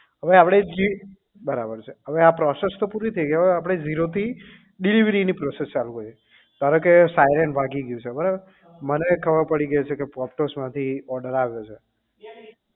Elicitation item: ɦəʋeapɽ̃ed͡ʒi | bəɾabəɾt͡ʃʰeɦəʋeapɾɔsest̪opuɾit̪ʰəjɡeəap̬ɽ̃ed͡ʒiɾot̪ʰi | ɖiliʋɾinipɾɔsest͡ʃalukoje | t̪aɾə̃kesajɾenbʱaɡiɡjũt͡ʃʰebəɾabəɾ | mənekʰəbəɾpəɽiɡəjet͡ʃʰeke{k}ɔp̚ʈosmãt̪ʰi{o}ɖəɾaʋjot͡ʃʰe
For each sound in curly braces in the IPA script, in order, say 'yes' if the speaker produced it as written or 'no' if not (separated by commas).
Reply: no, no